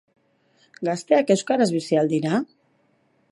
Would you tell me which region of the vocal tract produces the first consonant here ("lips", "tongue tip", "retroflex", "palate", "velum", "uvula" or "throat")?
velum